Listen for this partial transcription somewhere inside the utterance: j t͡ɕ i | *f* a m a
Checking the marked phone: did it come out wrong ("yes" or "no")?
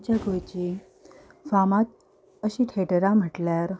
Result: no